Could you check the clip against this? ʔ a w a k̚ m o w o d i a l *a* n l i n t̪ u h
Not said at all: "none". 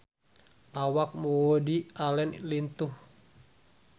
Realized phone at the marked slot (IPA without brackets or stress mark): ɛ